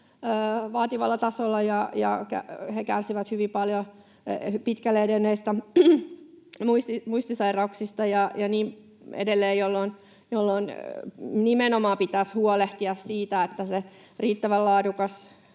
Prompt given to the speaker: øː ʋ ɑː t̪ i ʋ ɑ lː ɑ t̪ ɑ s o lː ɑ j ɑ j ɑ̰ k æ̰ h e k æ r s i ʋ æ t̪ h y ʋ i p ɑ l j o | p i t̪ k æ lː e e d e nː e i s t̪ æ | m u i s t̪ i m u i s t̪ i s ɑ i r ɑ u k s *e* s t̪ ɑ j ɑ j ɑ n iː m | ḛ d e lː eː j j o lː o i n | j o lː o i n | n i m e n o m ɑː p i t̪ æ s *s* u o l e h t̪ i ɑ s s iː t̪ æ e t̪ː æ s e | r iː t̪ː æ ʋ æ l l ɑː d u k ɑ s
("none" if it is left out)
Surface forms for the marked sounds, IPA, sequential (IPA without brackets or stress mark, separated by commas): i, h